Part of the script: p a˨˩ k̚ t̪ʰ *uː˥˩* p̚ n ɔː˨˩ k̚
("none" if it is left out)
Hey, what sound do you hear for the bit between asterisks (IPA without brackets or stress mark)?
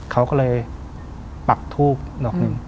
uː˥˩